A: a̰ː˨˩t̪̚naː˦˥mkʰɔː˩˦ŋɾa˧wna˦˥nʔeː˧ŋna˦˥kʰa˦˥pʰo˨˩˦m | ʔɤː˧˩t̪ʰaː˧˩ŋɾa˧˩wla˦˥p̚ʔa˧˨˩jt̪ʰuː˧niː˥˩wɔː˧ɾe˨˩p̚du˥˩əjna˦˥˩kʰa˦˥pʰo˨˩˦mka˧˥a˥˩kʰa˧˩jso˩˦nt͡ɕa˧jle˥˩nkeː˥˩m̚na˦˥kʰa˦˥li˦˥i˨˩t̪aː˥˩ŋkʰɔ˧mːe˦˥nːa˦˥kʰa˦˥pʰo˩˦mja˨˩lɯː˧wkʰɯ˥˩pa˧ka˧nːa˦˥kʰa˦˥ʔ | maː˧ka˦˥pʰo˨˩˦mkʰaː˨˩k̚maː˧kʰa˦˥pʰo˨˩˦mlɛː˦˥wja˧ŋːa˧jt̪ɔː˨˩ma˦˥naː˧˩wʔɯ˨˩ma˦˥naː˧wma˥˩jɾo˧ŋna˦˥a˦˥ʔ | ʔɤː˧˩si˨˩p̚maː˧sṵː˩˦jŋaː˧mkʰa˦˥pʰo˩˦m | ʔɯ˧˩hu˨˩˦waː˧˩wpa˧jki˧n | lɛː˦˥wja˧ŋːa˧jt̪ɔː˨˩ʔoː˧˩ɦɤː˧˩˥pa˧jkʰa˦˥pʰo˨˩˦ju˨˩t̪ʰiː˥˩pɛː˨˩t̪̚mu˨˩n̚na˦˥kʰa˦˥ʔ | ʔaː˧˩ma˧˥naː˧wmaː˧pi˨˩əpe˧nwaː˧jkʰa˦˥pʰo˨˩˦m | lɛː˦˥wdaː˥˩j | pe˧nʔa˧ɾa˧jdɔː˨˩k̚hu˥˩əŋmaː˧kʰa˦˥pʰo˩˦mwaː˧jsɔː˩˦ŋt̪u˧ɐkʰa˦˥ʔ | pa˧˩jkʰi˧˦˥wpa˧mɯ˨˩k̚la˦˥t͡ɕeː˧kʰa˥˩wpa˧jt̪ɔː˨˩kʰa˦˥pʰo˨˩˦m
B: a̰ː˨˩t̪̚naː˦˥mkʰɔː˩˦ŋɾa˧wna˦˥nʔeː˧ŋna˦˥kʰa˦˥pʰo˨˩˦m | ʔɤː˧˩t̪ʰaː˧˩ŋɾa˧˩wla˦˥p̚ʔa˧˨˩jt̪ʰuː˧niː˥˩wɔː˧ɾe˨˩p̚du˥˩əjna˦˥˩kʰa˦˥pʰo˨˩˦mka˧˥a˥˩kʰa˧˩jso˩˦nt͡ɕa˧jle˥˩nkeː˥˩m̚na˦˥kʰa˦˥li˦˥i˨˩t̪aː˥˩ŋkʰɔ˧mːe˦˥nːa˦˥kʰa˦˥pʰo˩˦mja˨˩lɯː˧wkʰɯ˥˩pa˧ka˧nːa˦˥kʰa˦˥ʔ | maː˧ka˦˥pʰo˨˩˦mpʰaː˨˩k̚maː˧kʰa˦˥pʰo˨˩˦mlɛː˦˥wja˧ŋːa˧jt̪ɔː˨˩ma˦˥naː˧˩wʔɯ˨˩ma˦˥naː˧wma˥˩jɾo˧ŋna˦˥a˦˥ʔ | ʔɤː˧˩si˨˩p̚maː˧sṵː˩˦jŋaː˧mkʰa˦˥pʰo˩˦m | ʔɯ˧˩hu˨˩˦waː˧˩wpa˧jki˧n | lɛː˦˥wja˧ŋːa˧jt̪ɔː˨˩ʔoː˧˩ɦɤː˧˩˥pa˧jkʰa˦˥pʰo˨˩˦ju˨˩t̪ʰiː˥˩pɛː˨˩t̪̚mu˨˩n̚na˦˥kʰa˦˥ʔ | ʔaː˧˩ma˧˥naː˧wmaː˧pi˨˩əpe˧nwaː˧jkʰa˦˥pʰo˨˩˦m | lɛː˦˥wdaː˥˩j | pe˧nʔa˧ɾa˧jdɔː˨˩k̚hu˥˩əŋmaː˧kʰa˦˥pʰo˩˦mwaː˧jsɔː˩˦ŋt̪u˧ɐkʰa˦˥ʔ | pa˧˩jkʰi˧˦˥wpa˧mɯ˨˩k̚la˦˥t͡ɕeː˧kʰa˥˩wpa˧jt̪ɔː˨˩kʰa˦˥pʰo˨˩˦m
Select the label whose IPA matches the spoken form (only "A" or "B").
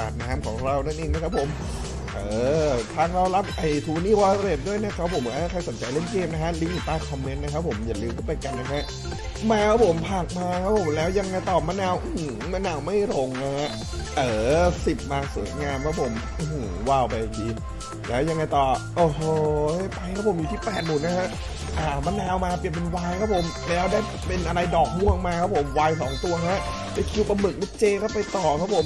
B